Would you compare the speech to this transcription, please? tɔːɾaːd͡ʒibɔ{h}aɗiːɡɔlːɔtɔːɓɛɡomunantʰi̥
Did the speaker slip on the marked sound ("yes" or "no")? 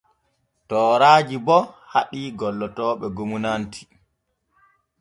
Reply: no